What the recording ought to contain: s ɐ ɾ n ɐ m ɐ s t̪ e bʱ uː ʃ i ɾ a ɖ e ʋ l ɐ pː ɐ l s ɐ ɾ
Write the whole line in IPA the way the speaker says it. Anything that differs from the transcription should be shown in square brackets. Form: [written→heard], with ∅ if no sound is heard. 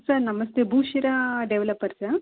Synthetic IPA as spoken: s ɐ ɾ n ɐ m ɐ s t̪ e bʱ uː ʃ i ɾ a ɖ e ʋ l ɐ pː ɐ [l→ɾ] s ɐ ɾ

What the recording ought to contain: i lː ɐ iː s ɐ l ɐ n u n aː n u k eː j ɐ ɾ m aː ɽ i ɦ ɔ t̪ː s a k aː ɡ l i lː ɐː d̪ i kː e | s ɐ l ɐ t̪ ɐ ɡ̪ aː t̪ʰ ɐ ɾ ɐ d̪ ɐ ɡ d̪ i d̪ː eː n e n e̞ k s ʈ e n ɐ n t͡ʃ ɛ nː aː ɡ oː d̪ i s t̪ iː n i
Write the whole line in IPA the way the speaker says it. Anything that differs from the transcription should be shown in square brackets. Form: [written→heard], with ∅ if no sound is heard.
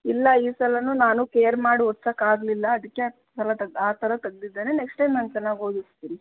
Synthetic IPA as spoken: i lː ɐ iː s ɐ l ɐ n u n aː n u k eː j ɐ ɾ m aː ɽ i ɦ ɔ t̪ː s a k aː ɡ l i lː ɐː d̪ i kː e | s ɐ l ɐ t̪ ɐ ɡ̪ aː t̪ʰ ɐ ɾ ɐ [d̪→t̪] ɐ ɡ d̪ i d̪ː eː n e n e̞ k s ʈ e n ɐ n t͡ʃ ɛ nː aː ɡ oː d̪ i s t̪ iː n i

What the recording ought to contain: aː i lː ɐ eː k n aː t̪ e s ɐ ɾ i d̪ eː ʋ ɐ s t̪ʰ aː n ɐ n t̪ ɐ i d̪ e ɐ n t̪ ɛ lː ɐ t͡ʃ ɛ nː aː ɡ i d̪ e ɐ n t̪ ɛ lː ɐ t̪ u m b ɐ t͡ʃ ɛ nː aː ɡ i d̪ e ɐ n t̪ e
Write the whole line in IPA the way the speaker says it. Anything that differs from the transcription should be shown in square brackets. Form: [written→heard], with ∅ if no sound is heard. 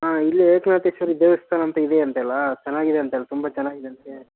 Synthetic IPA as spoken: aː i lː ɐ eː k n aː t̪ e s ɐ ɾ i d̪ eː ʋ ɐ s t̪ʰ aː n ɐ n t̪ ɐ i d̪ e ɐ n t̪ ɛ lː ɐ t͡ʃ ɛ nː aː ɡ i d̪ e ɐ n t̪ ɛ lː ɐ t̪ u m b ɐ t͡ʃ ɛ nː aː ɡ i d̪ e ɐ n t̪ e

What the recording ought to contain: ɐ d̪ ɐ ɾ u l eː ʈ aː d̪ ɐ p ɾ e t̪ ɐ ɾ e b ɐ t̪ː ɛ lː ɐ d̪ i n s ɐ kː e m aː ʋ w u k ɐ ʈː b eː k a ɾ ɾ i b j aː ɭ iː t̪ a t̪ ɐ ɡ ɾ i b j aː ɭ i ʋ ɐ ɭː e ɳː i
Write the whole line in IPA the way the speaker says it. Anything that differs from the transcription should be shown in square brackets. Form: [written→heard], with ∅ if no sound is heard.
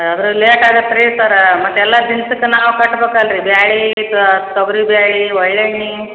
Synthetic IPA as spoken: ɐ d̪ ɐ ɾ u l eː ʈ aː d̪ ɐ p ɾ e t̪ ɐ ɾ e [b→m] ɐ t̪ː ɛ lː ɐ d̪ i n s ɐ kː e [m→n] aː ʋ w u k ɐ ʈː b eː k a [ɾ→l] ɾ i b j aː ɭ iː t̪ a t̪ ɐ ɡ ɾ i b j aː ɭ i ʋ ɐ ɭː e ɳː i

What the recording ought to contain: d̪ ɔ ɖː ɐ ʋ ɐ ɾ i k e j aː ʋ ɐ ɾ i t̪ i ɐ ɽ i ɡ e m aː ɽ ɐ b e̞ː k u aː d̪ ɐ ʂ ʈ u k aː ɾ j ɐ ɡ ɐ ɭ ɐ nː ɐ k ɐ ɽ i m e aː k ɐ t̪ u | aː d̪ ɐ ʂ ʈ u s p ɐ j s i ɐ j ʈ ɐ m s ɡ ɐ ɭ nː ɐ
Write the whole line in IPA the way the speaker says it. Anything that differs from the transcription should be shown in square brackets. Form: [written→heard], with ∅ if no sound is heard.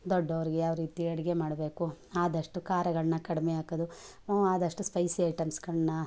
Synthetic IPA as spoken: d̪ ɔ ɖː ɐ ʋ ɐ ɾ i [k→ɡ] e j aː ʋ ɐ ɾ [i→iː] t̪ i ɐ ɽ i ɡ e m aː ɽ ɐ b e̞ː k u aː d̪ ɐ ʂ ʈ u k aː ɾ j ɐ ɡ ɐ ɭ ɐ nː ɐ k ɐ ɽ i m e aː k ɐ [t̪→d̪] u | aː d̪ ɐ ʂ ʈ u s p ɐ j s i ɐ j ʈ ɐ m s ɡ ɐ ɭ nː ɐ

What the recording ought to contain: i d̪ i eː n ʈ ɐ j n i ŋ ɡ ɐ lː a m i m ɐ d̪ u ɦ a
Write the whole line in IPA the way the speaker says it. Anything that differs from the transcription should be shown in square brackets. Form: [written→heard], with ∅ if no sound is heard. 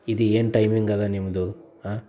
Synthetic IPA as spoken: i d̪ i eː n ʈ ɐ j [n→m] i ŋ ɡ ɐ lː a [m→n] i m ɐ d̪ u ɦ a

